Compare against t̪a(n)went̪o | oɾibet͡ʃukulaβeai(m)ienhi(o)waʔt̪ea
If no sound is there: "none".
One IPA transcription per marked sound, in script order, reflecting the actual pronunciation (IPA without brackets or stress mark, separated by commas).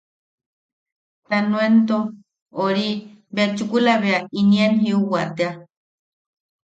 n, n, u